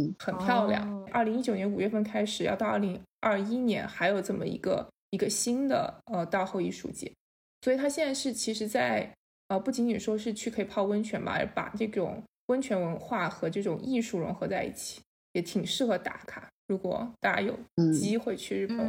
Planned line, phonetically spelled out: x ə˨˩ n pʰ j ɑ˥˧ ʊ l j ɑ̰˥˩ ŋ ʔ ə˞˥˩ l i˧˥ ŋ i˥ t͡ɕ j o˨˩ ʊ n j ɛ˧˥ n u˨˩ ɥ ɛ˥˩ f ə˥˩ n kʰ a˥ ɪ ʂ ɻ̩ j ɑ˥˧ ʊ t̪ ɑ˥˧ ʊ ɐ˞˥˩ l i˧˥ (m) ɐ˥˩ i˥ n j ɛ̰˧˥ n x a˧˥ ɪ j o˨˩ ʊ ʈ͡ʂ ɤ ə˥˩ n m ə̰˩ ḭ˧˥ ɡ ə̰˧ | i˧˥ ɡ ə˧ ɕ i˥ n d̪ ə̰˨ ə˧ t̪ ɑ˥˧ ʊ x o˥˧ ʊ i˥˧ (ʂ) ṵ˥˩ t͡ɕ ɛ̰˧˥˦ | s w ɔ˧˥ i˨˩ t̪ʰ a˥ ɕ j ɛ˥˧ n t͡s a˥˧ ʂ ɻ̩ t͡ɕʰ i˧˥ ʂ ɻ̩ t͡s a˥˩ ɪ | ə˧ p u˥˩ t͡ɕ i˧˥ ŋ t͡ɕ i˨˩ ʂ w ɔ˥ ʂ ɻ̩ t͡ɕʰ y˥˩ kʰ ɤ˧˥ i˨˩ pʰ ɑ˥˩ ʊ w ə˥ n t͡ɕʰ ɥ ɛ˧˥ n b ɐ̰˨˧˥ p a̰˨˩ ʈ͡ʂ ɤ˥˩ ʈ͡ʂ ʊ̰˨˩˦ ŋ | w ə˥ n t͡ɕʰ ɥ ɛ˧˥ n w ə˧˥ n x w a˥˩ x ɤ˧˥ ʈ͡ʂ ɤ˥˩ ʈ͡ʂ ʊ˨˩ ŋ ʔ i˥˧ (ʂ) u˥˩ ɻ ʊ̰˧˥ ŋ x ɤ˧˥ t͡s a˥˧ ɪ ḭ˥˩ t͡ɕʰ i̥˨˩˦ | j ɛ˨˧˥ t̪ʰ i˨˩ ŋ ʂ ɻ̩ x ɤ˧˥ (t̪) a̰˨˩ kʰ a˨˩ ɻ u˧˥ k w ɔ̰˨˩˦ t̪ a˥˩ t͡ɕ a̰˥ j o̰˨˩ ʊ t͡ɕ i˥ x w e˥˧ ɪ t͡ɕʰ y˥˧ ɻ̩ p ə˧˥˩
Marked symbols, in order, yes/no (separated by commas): no, yes, yes, yes